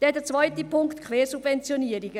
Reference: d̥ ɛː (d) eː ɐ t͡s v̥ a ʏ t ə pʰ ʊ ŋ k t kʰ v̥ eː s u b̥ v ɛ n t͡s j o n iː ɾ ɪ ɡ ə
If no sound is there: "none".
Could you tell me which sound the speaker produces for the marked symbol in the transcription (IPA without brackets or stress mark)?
d